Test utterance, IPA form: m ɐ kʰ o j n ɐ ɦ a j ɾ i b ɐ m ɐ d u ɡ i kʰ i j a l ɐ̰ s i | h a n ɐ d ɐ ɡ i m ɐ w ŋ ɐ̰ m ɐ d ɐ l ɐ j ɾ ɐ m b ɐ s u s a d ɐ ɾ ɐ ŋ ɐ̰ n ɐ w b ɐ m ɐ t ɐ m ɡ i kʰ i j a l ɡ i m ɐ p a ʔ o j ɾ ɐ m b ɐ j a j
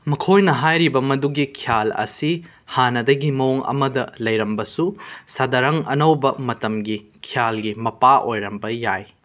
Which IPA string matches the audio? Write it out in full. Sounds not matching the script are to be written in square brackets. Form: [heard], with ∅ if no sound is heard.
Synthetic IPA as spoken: m ɐ kʰ o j n ɐ ɦ a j ɾ i b ɐ m ɐ d u ɡ i kʰ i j a l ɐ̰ s i | h a n ɐ d ɐ ɡ i m ɐ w ŋ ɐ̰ m ɐ d ɐ l ɐ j ɾ ɐ m b ɐ s u s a d ɐ ɾ ɐ ŋ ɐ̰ n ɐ w b ɐ m ɐ t ɐ m ɡ i kʰ i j a l ɡ i m ɐ p a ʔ o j ɾ ɐ m b ɐ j a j